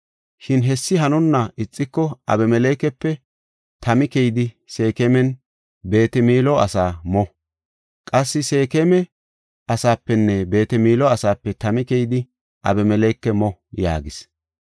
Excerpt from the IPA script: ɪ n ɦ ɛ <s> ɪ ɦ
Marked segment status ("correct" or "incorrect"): incorrect